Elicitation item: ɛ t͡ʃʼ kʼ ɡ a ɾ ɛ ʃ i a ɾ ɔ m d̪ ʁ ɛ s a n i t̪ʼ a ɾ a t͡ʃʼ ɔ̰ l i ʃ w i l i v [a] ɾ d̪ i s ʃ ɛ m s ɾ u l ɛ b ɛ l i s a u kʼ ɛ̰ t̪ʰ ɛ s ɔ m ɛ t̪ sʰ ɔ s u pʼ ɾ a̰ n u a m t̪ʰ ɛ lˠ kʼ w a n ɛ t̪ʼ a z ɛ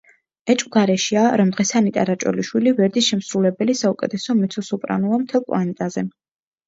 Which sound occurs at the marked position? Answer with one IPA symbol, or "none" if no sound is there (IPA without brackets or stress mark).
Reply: ɛ